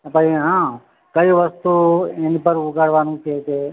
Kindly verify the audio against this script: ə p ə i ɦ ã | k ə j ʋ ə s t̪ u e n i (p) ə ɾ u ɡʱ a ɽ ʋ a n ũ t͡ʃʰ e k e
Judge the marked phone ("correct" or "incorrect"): correct